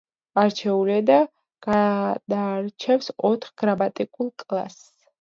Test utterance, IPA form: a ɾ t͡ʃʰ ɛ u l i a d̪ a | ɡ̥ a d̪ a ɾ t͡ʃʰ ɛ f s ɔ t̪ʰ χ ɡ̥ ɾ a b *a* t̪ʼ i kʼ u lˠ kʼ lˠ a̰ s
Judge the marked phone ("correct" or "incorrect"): correct